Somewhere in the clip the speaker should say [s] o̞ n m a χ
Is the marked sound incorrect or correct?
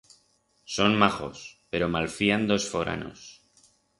correct